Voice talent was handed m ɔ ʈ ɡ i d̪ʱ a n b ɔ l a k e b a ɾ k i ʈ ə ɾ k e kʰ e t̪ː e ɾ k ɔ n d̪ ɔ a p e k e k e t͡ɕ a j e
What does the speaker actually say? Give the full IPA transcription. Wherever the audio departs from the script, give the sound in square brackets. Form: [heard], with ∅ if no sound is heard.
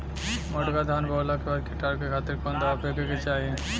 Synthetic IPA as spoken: m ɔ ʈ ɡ [a] d̪ʱ a n b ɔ l a k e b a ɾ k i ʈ [a] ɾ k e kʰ [a] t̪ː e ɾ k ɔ n d̪ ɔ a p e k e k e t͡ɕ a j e